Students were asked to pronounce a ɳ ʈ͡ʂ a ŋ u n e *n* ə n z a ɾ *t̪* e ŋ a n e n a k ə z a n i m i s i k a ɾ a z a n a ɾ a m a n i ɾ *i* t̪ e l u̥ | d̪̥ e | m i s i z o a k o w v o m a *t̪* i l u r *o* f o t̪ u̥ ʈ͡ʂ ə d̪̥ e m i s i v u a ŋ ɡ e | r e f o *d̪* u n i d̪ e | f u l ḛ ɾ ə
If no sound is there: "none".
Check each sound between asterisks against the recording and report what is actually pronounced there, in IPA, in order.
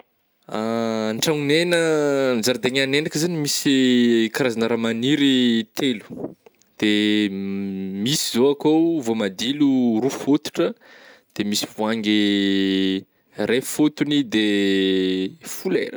n, d̪, i, d̪, u, t̪

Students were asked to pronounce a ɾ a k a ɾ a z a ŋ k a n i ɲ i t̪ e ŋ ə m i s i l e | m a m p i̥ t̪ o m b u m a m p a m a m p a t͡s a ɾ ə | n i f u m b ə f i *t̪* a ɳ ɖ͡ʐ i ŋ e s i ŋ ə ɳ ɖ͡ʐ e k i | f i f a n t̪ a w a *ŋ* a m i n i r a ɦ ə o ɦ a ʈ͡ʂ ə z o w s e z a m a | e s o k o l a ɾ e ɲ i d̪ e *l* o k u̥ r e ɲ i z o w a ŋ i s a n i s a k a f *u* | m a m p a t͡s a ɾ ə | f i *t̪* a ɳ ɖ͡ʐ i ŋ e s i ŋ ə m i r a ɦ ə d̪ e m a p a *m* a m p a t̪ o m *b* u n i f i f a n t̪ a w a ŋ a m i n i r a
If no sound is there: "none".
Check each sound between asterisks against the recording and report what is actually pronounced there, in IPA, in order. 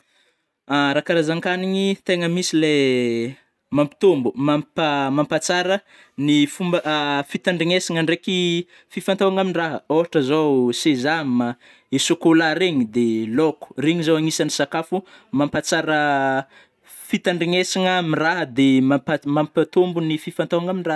t̪, ŋ, l, u, t̪, m, b

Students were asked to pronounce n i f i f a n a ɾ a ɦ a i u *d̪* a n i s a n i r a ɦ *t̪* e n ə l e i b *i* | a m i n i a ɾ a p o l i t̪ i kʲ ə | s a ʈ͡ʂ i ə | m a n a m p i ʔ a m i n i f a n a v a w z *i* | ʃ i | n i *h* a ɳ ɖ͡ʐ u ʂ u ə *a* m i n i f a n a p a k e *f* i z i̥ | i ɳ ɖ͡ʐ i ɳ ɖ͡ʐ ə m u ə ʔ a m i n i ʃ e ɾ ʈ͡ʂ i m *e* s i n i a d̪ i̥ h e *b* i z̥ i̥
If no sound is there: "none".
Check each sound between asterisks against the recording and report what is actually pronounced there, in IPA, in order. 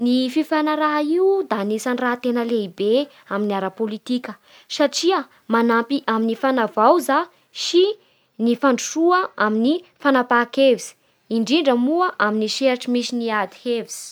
d̪, t̪, e, a, f, a, v, i, v

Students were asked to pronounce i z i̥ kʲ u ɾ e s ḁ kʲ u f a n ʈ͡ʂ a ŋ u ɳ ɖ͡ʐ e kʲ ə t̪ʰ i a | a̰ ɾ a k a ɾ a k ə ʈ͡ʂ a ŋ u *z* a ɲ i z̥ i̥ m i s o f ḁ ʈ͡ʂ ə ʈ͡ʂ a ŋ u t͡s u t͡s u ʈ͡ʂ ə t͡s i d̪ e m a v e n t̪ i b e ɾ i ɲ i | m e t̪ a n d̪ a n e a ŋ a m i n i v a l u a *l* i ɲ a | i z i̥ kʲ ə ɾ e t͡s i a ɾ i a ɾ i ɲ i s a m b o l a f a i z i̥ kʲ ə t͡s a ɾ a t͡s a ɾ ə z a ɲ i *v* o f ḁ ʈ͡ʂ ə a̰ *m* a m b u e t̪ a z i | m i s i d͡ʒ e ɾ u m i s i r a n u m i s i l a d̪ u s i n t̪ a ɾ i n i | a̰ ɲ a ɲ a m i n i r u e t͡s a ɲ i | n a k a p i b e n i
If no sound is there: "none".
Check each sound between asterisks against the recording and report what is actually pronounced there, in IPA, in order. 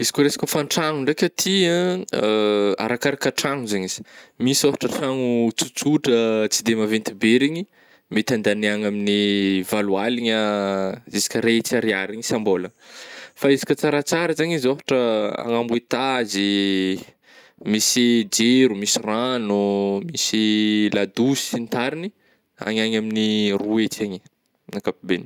z, l, z, ŋ

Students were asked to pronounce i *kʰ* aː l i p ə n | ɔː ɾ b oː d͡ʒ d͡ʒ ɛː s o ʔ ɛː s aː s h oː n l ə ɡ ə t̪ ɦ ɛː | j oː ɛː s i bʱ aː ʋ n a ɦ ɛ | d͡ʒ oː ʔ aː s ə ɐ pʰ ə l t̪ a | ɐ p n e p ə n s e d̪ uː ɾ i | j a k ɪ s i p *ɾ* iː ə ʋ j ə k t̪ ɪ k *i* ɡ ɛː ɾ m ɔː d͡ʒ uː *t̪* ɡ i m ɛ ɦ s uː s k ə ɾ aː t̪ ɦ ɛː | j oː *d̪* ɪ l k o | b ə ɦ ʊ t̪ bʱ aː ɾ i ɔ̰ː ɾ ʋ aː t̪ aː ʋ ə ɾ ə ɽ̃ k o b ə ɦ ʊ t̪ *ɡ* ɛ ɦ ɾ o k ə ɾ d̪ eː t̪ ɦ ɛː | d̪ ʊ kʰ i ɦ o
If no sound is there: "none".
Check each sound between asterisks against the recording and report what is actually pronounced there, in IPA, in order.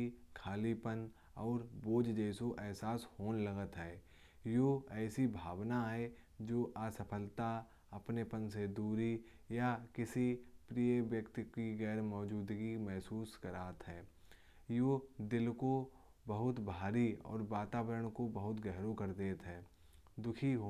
kʰ, ɾ, i, d̪, d̪, ɡ

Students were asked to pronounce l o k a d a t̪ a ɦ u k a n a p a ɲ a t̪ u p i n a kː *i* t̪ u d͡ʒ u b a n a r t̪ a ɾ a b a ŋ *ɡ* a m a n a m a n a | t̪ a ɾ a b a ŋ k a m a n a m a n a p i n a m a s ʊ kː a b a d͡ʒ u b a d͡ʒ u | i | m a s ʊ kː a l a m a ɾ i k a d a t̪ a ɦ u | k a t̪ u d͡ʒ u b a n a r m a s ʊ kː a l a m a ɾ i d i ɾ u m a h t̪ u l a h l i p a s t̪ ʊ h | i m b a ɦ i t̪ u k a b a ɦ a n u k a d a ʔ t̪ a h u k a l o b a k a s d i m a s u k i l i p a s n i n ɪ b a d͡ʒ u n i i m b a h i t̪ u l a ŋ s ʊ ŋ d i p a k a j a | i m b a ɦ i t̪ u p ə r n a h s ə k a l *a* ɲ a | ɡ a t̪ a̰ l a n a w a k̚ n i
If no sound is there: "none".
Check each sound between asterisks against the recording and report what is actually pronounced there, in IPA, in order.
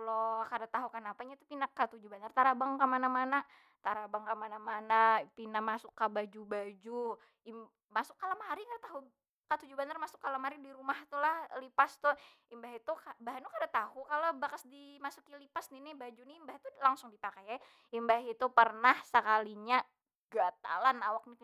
a, k, i

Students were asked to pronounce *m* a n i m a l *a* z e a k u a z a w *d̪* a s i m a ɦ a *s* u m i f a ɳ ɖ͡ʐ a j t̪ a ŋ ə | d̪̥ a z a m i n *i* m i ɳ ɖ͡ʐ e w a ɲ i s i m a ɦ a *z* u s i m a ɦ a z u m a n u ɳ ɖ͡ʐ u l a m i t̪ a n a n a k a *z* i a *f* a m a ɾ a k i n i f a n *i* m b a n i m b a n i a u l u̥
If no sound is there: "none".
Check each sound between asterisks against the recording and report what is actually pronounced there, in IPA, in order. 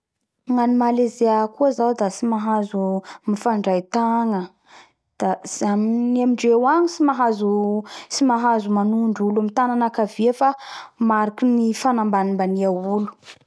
ŋ, e, d̪, z, a, z, v, f, a

